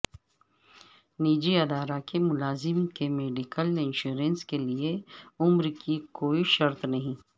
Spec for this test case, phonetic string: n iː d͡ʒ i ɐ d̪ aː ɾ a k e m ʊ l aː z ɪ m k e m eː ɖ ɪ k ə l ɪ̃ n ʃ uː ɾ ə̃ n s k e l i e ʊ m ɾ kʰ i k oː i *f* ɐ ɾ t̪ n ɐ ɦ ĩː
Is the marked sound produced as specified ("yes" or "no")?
no